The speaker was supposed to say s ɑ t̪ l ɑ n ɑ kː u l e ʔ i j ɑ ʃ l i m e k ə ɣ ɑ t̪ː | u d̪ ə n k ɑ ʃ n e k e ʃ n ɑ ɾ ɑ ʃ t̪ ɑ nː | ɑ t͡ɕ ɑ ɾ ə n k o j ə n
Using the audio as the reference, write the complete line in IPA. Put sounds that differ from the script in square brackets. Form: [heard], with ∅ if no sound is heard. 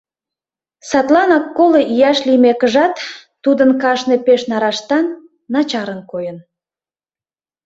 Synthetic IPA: s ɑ t̪ l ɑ n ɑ kː [o] l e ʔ i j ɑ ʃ l i m e k ə [ʒ] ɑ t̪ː | u d̪ ə n k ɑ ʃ n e [p] e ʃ n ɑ ɾ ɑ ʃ t̪ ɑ nː | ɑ t͡ɕ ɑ ɾ ə n k o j ə n